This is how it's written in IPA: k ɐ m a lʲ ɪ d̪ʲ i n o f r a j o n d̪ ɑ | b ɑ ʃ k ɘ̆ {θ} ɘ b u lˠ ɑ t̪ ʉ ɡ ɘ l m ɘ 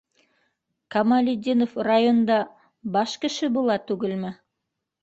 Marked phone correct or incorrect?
incorrect